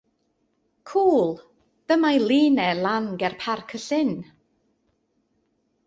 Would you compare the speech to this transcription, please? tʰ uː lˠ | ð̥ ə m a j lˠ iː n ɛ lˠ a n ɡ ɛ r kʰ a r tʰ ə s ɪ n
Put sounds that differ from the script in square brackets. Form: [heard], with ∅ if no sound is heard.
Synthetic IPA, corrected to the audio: [kʰ] uː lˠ | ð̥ ə m a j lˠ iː n ɛ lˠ a n ɡ ɛ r [pʰ] a r [kʰ] ə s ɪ n